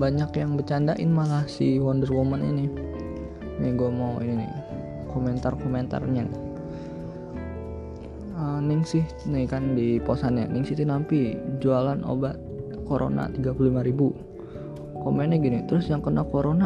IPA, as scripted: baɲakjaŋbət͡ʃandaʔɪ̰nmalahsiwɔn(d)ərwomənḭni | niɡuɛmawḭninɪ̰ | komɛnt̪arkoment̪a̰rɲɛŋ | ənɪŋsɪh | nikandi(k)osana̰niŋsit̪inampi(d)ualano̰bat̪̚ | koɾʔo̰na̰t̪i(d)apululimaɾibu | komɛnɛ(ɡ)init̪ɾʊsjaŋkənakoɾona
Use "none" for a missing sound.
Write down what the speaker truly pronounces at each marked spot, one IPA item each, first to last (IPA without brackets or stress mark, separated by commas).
d, p, d͡ʒ, ɡ, ɡ